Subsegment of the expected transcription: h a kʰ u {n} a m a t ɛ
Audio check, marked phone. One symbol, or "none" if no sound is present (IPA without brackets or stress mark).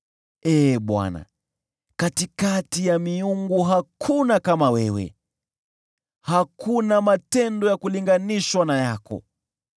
n